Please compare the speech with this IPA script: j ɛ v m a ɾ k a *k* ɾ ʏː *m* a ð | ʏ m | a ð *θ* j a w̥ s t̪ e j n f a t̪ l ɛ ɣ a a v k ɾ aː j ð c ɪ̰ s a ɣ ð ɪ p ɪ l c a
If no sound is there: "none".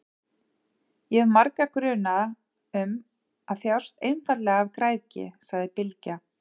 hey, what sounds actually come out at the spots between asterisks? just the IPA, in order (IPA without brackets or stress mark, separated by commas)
k, n, θ